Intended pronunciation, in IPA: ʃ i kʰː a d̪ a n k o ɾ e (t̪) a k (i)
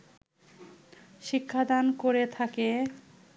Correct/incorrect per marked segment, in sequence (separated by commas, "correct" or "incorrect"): incorrect, incorrect